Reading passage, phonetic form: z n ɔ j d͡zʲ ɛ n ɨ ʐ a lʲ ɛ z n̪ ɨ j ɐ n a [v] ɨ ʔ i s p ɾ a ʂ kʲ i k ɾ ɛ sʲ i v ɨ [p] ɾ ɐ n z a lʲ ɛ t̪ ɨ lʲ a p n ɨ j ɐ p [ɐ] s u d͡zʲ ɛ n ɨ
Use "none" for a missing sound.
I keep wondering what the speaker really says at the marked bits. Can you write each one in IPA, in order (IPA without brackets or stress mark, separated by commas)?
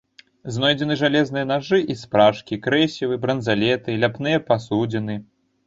ʐ, b, a